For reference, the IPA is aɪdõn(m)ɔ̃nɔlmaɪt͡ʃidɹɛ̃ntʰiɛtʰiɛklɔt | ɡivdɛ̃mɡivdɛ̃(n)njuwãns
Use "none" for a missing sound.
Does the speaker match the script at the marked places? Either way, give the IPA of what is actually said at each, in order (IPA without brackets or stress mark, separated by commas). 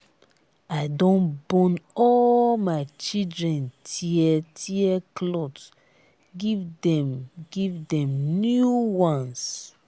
b, m